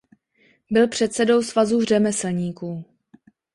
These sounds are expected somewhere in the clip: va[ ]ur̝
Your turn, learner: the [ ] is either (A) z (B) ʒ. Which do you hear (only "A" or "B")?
A